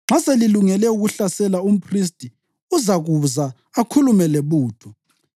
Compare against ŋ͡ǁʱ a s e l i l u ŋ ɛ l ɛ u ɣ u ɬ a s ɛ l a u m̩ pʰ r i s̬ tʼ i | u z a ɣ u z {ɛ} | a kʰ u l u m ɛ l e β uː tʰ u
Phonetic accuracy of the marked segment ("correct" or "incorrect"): incorrect